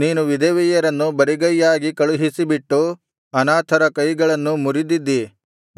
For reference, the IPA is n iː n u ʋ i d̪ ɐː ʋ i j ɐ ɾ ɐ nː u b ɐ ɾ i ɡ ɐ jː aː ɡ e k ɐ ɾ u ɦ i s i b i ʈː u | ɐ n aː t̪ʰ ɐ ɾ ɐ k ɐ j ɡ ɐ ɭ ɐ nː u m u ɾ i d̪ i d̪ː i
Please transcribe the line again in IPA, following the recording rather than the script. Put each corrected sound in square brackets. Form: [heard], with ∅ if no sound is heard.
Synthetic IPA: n iː n u ʋ i d̪ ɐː ʋ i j ɐ ɾ ɐ nː u b ɐ ɾ i ɡ ɐ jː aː ɡ [i] k ɐ [ɭ] u ɦ i s i b i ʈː u | ɐ n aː t̪ʰ ɐ ɾ ɐ k ɐ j ɡ ɐ ɭ ɐ nː u m u ɾ i d̪ i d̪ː i